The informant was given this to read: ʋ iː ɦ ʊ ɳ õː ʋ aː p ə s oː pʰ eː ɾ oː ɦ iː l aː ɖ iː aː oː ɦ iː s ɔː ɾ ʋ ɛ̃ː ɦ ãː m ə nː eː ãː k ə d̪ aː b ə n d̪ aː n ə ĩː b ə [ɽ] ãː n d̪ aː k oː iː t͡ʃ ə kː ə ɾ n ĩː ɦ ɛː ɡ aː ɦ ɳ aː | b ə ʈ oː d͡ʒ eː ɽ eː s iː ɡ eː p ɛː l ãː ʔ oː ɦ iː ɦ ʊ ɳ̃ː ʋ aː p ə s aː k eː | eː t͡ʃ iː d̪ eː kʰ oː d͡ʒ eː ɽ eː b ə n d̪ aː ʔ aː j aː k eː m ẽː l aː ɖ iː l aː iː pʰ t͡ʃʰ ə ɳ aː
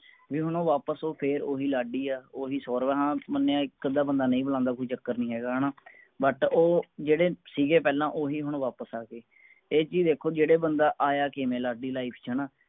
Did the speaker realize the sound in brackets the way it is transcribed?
no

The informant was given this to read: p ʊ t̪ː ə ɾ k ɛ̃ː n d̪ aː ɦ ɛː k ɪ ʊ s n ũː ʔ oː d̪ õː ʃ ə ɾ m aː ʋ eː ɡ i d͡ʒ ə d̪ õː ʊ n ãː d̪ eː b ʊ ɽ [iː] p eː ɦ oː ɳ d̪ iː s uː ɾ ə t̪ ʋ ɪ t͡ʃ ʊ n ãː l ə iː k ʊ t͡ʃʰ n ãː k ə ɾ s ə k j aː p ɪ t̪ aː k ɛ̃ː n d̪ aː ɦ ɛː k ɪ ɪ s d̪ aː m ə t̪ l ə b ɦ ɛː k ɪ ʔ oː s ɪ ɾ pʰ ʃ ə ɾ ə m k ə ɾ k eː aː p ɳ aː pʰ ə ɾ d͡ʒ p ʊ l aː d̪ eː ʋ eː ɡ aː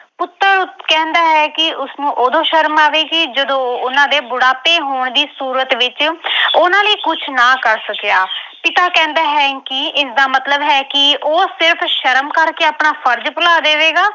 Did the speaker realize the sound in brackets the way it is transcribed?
no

